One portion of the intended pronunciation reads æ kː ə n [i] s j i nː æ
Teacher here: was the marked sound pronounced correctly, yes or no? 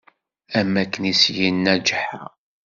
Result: yes